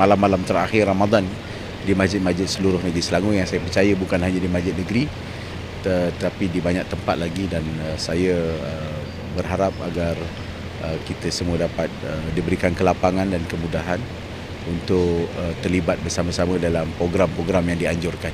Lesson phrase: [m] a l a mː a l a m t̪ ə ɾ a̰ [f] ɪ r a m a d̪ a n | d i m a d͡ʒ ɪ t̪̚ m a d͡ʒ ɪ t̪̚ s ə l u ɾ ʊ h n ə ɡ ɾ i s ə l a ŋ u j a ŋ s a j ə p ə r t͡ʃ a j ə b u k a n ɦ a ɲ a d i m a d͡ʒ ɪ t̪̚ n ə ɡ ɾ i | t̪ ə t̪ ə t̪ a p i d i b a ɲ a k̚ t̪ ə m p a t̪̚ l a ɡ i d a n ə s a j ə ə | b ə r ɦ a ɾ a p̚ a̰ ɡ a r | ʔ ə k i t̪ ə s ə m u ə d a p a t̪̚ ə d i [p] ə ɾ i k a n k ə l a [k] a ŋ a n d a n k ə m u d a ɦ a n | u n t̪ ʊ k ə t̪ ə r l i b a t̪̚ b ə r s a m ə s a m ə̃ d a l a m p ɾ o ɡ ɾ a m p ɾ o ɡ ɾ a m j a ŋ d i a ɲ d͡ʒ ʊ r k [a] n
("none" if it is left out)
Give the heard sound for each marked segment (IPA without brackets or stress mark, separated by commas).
m, x, b, p, a